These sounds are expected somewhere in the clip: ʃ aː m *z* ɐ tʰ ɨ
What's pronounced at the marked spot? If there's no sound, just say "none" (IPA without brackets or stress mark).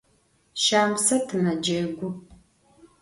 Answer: s